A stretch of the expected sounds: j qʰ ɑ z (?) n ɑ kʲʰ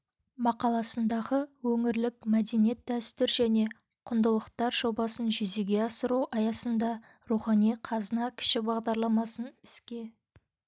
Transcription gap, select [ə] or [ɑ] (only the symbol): ə